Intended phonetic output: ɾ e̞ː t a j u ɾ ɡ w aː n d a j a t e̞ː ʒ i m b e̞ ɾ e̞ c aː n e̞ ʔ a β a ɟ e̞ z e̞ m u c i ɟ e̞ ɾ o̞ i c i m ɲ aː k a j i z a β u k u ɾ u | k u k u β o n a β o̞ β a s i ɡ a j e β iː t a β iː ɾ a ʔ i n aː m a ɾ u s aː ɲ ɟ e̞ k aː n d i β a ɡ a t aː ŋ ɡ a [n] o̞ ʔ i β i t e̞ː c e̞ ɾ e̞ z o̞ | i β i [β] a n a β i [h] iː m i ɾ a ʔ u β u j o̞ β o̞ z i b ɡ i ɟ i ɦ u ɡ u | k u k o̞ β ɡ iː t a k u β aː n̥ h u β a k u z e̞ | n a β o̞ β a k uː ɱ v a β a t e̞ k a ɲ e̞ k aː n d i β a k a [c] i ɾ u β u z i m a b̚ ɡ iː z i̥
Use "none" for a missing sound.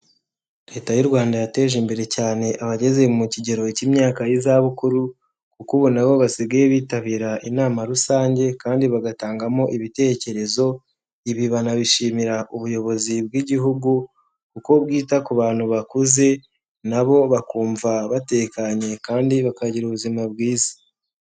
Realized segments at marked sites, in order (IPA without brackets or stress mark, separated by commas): m, β, ʃ, ɟ